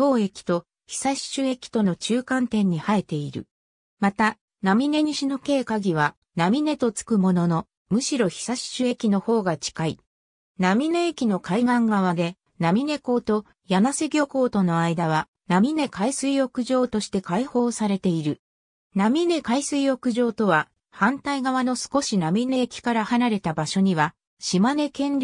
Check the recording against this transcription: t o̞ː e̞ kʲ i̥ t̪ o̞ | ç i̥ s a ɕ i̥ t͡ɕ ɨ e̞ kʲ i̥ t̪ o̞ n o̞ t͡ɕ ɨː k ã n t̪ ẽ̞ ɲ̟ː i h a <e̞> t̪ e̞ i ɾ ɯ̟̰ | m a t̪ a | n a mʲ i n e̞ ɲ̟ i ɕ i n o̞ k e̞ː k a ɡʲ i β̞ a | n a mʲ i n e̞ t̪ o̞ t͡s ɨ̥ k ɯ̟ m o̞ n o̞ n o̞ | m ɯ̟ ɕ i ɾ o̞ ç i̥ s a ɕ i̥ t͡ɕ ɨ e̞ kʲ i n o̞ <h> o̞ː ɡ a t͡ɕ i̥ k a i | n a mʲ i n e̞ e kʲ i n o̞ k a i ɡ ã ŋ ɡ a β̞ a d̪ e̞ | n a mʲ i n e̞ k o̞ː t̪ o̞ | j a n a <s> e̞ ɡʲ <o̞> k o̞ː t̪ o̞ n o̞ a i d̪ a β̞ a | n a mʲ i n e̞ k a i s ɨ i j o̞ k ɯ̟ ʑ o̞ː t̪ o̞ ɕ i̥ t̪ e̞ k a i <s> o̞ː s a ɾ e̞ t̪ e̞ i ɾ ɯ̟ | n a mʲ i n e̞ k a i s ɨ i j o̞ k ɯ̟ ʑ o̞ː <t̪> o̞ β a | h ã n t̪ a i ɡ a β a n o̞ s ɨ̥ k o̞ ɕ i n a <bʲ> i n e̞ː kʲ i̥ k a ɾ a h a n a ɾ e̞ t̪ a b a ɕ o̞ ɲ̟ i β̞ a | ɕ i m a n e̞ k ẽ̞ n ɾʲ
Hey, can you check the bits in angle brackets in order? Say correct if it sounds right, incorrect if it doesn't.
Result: correct, correct, correct, correct, incorrect, correct, incorrect

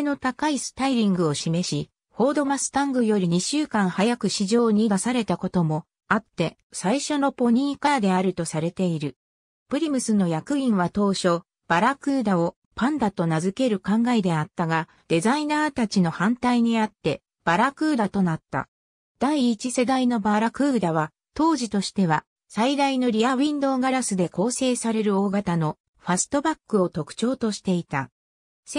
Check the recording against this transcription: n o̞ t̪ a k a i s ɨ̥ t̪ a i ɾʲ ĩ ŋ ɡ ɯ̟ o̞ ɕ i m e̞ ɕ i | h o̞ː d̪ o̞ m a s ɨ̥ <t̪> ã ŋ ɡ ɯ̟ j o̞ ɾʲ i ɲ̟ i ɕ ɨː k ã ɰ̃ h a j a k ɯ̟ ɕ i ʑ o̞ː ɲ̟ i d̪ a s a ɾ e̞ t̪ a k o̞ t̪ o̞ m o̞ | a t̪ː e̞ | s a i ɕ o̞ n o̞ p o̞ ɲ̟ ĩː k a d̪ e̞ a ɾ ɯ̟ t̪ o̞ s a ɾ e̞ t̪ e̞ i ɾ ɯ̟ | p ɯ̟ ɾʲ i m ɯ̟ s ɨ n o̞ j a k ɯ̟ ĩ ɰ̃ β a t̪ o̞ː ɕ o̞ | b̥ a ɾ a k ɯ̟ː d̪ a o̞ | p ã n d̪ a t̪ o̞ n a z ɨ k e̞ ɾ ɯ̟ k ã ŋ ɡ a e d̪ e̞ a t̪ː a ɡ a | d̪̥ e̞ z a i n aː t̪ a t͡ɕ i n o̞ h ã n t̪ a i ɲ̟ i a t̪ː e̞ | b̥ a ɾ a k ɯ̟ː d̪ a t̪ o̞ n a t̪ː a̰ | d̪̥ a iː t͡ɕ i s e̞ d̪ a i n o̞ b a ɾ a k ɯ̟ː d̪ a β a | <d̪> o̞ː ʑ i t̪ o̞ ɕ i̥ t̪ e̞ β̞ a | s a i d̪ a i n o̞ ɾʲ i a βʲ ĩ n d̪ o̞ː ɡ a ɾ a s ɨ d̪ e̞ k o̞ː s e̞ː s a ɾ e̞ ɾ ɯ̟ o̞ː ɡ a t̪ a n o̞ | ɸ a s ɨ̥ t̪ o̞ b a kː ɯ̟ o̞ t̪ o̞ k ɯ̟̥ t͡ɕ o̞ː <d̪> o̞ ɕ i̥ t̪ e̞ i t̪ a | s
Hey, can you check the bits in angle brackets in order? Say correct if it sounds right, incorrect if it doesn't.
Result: correct, incorrect, incorrect

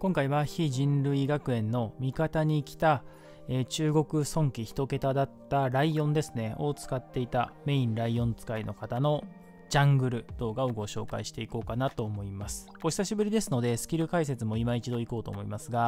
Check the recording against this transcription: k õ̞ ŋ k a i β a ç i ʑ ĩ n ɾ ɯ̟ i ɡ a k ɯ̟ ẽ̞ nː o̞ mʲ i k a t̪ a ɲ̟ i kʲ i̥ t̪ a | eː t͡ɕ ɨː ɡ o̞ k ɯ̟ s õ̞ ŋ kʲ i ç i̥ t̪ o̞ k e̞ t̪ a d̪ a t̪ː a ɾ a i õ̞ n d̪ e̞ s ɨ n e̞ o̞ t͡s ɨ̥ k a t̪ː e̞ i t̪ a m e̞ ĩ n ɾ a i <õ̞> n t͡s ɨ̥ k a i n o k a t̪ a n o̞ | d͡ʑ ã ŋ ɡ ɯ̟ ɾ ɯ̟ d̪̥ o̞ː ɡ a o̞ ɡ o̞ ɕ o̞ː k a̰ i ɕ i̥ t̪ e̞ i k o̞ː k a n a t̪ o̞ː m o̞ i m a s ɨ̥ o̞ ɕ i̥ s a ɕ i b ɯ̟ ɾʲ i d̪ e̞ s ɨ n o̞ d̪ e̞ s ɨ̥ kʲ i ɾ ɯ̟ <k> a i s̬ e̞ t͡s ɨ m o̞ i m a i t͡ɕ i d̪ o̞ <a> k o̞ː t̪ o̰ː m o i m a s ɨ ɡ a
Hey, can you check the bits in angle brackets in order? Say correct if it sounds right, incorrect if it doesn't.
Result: correct, correct, incorrect

